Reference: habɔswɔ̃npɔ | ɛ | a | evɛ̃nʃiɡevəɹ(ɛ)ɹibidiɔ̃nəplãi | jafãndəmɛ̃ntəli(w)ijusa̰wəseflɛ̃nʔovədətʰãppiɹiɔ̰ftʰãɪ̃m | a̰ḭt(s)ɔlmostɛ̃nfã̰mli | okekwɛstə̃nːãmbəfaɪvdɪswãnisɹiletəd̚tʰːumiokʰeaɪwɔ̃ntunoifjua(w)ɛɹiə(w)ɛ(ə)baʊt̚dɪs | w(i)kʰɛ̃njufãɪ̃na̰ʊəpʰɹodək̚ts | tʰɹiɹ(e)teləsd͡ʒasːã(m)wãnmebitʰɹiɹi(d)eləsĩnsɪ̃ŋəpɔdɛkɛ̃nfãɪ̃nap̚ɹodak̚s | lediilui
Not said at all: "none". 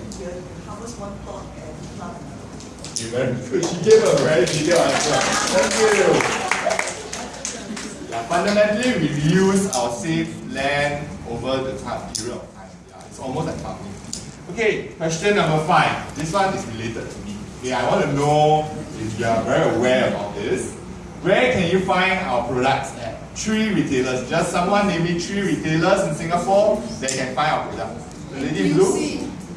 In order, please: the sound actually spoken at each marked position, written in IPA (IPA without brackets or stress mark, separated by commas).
ɛ, w, s, v, w, ə, ɛ, i, m, t